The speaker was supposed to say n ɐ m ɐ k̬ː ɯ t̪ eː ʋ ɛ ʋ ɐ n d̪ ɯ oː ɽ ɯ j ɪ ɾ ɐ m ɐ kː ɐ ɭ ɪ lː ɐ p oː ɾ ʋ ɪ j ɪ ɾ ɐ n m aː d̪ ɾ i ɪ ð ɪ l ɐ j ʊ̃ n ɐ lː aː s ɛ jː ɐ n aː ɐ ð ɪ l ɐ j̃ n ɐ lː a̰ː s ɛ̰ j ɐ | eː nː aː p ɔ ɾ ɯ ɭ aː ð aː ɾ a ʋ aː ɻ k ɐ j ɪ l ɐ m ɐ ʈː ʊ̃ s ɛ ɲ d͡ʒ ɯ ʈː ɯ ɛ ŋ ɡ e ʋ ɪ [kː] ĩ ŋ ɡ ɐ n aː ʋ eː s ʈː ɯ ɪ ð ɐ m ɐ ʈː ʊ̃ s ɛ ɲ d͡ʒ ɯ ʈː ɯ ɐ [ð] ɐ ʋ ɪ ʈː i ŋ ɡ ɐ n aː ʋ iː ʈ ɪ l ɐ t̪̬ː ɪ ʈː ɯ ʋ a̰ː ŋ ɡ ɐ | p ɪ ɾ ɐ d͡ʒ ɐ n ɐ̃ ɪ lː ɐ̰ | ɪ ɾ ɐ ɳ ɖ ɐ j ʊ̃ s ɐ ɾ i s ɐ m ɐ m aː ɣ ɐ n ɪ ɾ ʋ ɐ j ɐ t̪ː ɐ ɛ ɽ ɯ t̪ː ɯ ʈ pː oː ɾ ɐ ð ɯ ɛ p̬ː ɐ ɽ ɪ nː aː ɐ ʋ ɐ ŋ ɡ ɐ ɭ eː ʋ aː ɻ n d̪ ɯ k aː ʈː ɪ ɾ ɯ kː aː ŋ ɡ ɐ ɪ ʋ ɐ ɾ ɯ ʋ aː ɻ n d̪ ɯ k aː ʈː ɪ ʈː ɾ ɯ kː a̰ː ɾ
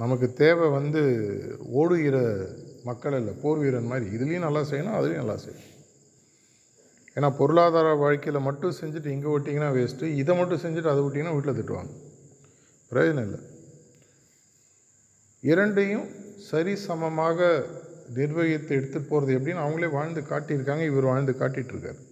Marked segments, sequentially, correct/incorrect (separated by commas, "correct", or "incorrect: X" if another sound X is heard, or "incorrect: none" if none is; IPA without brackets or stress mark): incorrect: ʈː, correct